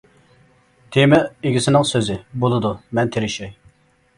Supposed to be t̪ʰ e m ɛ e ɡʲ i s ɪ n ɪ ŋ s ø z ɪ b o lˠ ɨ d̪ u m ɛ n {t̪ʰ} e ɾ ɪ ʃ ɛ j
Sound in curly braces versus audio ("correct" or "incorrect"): correct